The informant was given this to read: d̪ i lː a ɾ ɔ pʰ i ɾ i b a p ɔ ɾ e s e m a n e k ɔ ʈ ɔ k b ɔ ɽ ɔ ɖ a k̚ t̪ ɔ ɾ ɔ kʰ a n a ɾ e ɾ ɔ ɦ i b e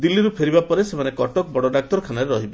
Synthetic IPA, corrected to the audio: d̪ i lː i ɾ u pʰ e ɾ i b a p ɔ ɾ e s e m a n e k ɔ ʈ ɔ k b ɔ ɽ ɔ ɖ a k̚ t̪ ɔ ɾ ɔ kʰ a n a ɾ e ɾ ɔ ɦ i b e